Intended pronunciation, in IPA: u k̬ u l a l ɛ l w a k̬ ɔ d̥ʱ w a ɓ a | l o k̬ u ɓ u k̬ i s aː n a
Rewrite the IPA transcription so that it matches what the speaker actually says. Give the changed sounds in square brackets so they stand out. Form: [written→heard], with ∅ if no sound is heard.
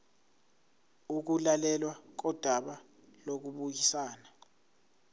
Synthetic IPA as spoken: u k̬ u l a l ɛ l w a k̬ ɔ d̥ʱ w a ɓ a | l o k̬ u ɓ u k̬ i s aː n a